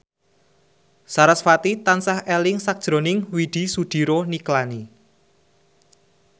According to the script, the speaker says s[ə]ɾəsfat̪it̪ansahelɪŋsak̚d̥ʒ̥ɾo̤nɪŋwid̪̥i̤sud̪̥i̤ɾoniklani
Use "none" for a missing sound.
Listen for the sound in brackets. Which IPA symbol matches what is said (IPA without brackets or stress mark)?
a